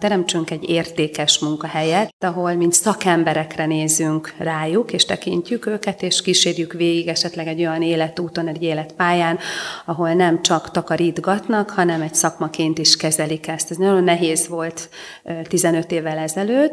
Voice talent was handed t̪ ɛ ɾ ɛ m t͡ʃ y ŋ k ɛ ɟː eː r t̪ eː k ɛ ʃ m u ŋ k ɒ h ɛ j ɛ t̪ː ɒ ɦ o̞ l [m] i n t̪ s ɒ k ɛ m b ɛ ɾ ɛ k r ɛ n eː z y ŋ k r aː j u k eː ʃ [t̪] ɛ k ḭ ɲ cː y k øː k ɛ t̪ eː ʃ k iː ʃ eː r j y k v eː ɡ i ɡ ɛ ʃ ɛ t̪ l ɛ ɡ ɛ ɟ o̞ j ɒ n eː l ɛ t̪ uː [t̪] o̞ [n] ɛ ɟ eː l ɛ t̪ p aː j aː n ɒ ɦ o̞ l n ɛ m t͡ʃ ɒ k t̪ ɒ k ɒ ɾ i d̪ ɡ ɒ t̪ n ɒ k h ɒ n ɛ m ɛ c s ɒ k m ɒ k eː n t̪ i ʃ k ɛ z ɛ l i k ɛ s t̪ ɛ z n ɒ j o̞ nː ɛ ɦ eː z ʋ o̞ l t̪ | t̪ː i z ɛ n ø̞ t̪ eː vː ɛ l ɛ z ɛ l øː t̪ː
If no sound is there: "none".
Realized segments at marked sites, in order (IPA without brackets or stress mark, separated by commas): m, t̪, t̪, n